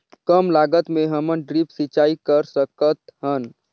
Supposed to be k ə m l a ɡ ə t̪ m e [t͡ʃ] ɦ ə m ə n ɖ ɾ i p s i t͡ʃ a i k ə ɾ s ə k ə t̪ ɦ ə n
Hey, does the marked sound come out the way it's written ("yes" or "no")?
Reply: no